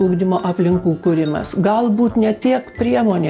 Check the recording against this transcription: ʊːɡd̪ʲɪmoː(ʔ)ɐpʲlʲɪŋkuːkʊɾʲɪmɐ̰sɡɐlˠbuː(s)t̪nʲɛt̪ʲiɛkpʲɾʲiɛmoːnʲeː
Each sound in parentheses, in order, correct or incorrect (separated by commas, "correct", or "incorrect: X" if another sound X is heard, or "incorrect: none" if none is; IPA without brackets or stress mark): correct, incorrect: none